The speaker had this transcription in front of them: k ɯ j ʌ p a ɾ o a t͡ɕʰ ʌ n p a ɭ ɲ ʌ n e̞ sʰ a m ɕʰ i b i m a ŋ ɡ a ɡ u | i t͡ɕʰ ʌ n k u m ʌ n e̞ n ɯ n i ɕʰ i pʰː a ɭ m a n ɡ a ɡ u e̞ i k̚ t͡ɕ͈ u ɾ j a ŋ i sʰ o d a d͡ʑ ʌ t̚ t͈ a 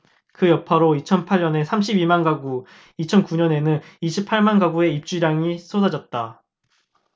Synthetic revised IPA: k ɯ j ʌ pʰ a ɾ o i t͡ɕʰ ʌ n pʰ a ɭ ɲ ʌ n e̞ sʰ a m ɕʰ i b i m a n ɡ a ɡ u | i t͡ɕʰ ʌ n k u ɲ ʌ n e̞ n ɯ n i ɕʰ i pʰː a ɭ m a n ɡ a ɡ u e̞ i p̚ t͡ɕ͈ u ɾ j a ŋ i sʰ o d a d͡ʑ ʌ t̚ t͈ a